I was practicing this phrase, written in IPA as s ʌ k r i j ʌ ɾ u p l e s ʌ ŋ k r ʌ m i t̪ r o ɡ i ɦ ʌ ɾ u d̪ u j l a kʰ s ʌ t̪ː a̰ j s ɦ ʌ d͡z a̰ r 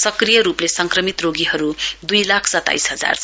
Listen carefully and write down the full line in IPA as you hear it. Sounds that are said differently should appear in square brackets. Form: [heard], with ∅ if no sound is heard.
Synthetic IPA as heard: s ʌ k r i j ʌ ɾ u p l e s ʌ ŋ k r ʌ m i t̪ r o ɡ i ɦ ʌ ɾ u d̪ u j l a kʰ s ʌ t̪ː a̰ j s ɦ ʌ d͡z a̰ r

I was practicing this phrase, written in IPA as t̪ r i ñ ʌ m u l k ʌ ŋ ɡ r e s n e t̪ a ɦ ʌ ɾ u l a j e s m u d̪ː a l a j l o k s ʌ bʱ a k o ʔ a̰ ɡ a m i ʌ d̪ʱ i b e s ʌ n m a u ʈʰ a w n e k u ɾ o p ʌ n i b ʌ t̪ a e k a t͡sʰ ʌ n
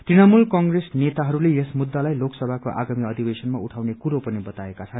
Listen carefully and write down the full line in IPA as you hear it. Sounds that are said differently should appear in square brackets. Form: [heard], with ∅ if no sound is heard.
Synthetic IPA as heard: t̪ r i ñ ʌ m u l k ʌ ŋ ɡ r e s n e t̪ a ɦ ʌ ɾ u l [e] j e s m u d̪ː a l a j l o k s ʌ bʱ a k o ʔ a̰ ɡ a m i ʌ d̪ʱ i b e s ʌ n m a u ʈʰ a w n e k u ɾ o p ʌ n i b ʌ t̪ a e k a t͡sʰ ʌ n

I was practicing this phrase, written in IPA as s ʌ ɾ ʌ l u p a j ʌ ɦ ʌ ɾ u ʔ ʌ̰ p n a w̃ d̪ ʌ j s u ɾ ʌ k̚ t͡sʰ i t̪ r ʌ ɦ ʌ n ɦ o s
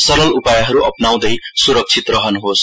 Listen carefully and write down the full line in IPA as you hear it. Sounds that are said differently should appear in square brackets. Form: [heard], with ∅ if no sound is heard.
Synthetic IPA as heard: s ʌ ɾ ʌ l u p a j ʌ ɦ ʌ ɾ u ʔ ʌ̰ p n a w̃ d̪ ʌ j s u ɾ ʌ k̚ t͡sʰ i t̪ r ʌ ɦ ʌ n ɦ o s

